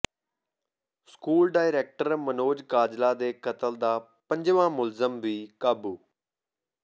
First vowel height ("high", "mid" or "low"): high